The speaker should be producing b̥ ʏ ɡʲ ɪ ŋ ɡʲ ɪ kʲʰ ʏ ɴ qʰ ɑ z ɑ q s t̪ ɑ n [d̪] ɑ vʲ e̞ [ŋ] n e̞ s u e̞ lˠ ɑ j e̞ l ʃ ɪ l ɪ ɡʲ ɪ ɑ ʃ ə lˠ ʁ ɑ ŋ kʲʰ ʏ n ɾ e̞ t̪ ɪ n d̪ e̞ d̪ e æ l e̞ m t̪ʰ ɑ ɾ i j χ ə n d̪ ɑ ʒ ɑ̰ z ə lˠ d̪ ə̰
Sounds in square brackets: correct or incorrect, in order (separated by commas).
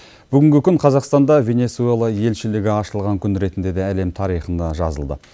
correct, incorrect